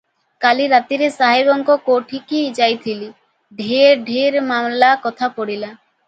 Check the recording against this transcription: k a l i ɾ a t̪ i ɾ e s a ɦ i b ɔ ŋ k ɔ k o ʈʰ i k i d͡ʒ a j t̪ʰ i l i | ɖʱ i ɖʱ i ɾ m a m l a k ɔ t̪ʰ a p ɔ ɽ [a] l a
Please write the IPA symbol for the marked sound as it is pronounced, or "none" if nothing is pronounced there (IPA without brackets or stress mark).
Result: i